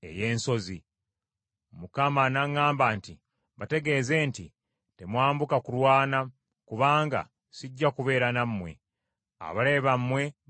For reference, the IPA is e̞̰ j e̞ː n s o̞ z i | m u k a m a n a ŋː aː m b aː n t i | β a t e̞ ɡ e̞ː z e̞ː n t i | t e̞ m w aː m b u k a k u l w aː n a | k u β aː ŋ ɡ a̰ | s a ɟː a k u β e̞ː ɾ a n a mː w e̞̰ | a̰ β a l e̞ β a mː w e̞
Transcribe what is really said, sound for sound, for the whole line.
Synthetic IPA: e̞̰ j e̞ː n s o̞ z i | m u k a m a n a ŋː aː m b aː n t i | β a t e̞ ɡ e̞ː z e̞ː n t i | t e̞ m w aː m b u k a k u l w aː n a | k u β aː ŋ ɡ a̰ | s i ɟː a k u β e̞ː ɾ a n a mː w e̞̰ | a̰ β a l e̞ β a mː w e̞

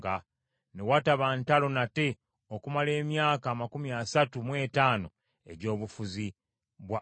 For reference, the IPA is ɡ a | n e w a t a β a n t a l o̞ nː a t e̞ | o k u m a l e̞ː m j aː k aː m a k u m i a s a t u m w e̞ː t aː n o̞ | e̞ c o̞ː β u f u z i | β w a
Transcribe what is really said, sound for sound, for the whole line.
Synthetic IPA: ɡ a | n e w a t a β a n t a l o̞ n a t e̞ | o k u m a l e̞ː m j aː k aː m a k u m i a s a t u m w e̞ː t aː n o̞ | e̞ ɟ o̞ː β u f u z i | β w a

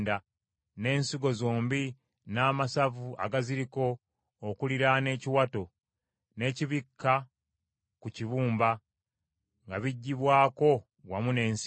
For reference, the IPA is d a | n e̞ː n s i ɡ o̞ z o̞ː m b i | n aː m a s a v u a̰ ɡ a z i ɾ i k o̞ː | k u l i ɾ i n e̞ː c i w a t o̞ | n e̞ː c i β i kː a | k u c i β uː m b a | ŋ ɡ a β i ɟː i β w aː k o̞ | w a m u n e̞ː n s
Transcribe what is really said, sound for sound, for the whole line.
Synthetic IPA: d a | n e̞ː n s i ɡ o̞ z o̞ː m b i | n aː m a s a v u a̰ ɡ a z i ɾ i k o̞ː | k u l i ɾ a n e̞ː c i w a t o̞ | n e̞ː c i β i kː a | k u c i β uː m b a | ŋ ɡ a β i ɟː i β w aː k o̞ | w a m u n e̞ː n s

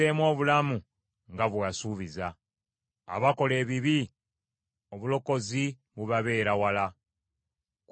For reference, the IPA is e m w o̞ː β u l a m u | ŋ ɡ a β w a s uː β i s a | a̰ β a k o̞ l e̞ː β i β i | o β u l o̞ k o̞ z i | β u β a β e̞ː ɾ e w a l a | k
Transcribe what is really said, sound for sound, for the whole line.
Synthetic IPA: e m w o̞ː β u l a m u | ŋ ɡ a β w a s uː β i z a | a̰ β a k o̞ l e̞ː β i β i | o β u l o̞ k o̞ z i | β u β a β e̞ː ɾ a w a l a | k

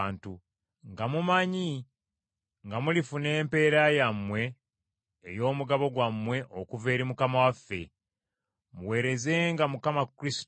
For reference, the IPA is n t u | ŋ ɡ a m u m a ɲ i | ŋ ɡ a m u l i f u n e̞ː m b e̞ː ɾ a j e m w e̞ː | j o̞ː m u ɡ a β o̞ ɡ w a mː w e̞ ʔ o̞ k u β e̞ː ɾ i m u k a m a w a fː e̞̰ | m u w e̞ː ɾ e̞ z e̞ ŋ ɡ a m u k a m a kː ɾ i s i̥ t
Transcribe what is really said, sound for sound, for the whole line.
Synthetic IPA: n t u | ŋ ɡ a m u m a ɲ i | ŋ ɡ a m u l i f u n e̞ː m p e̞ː ɾ a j a m w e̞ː | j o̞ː m u ɡ a β o̞ ɡ w a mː w e̞ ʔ o̞ k u v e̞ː ɾ i m u k a m a w a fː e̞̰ | m u w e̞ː ɾ e̞ z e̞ ŋ ɡ a m u k a m a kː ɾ i s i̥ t

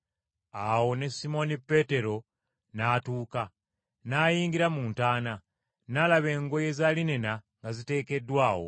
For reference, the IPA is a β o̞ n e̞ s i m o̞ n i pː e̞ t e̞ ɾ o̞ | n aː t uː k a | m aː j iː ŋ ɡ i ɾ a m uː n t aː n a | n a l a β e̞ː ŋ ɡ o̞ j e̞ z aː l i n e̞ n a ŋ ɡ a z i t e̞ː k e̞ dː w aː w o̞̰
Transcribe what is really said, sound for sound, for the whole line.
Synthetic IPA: a w o̞ n e̞ s i m o̞ n i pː e̞ t e̞ ɾ o̞ | n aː t uː k a | n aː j iː ŋ ɡ i ɾ a m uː n t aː n a | n a l a β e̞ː ŋ ɡ o̞ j e̞ z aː l i n e̞ n a ŋ ɡ a z i t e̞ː k e̞ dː w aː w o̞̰

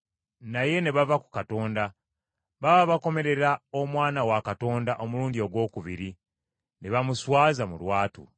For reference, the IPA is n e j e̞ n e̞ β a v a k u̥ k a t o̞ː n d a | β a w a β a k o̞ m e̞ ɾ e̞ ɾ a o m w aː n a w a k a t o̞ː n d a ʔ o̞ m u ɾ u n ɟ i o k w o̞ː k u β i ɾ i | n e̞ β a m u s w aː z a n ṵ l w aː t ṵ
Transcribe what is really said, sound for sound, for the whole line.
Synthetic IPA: n a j e̞ n e̞ β a v a k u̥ k a t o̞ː n d a | β a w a β a k o̞ m e̞ ɾ e̞ ɾ a o m w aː n a w a k a t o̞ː n d a ʔ o̞ m u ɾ uː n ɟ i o ɡ w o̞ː k u β i ɾ i | n e̞ β a m u s w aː z a m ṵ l w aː t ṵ

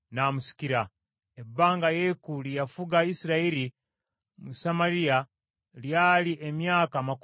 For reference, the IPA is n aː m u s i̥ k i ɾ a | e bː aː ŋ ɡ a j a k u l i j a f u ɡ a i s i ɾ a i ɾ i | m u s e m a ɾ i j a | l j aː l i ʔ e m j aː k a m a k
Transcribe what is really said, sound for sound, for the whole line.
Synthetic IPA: n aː m u s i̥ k i ɾ a | e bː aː ŋ ɡ a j e k u l i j a f u ɡ a i s i ɾ a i ɾ i | m u s a m a ɾ i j a | l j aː l i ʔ e m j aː k a m a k

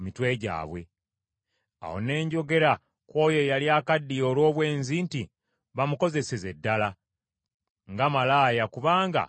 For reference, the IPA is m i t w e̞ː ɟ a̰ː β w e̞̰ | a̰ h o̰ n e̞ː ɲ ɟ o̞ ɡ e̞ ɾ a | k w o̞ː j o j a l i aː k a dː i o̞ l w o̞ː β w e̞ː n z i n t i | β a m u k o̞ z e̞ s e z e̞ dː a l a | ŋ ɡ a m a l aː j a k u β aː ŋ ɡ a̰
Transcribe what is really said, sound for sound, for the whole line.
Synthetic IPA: m i t w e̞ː ɟ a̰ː β w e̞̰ | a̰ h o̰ n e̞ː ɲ ɟ o̞ ɡ e̞ ɾ a | k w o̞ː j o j a l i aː k a dː i o̞ l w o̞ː β w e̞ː n z i n t i | β a m u k o̞ z e̞ s e z e̞ dː a l a | ŋ ɡ a m a l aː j a k u β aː ŋ ɡ a̰

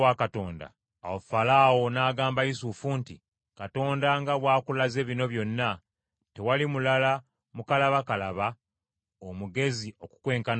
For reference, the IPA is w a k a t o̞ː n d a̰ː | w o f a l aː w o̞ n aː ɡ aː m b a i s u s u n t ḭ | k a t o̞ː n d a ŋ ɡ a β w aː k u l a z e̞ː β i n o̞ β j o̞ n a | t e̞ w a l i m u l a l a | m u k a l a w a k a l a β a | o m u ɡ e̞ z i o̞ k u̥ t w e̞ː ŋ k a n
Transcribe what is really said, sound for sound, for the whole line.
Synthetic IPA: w a k a t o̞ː n d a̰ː | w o f a l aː w o̞ n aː ɡ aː m b a i s u f u n t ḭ | k a t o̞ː n d a ŋ ɡ a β w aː k u l a z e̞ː β i n o̞ β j o̞ nː a | t e̞ w a l i m u l a l a | m u k a l a β a k a l a β a | o m u ɡ e̞ z i o̞ k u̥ k w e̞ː ŋ k a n

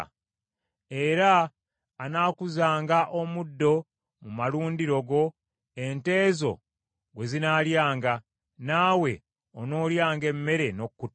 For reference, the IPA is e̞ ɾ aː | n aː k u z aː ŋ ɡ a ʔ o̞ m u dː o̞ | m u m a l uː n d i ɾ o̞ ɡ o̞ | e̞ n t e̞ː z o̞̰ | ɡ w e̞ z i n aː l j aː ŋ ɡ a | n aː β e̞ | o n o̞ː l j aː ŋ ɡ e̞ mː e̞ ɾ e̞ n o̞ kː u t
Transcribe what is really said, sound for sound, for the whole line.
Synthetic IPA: e̞ ɾ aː | n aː k u z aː ŋ ɡ a ʔ o̞ m u dː o̞ | m u m a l uː n d i ɾ o̞ ɡ o̞ | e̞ n t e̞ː z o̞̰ | ɡ w e̞ z i n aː l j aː ŋ ɡ a | n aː w e̞ | o n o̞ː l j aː ŋ ɡ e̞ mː e̞ ɾ e̞ n o̞ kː u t

